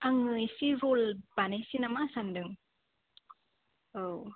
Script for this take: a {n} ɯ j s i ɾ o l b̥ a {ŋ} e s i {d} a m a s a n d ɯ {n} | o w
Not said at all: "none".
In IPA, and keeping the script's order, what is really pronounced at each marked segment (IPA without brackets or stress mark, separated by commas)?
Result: ŋ, n, n, ŋ